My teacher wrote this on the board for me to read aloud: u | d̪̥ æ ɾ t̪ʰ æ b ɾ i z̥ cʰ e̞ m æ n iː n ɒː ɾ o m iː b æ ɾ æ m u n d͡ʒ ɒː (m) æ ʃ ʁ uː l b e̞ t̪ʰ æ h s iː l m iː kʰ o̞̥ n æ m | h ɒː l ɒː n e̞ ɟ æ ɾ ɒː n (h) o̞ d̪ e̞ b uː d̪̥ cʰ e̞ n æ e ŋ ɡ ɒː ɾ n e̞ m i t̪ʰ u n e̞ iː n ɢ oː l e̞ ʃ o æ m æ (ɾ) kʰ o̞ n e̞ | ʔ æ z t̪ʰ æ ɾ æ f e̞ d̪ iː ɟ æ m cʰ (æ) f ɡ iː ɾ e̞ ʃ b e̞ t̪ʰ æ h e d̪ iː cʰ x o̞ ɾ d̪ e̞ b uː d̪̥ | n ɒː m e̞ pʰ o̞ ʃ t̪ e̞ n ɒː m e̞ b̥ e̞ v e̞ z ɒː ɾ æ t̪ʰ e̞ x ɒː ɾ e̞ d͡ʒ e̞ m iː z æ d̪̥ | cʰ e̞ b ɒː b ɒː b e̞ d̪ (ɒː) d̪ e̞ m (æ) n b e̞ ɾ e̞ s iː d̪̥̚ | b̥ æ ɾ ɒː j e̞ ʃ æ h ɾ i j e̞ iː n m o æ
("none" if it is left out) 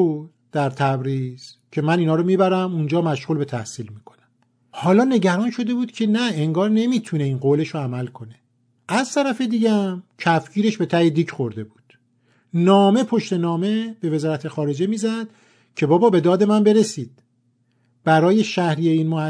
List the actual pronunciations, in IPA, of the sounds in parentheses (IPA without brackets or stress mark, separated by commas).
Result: m, ʃ, l, æ, ɒː, æ